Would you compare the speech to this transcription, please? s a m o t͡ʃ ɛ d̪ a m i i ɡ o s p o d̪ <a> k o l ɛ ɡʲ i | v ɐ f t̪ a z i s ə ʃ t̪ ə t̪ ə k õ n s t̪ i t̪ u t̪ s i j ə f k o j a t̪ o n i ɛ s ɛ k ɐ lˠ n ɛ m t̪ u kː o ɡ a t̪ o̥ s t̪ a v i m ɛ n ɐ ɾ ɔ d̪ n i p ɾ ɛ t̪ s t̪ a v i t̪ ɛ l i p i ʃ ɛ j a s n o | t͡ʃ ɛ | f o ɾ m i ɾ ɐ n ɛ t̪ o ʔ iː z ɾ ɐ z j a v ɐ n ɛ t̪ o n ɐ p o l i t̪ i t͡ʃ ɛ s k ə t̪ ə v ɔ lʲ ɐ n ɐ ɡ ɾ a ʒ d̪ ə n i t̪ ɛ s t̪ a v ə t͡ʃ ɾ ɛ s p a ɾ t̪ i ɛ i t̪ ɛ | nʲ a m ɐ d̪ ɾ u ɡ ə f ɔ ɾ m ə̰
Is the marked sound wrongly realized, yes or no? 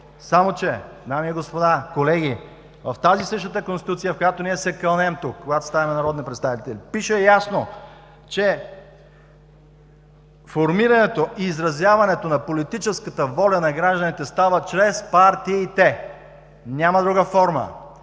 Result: no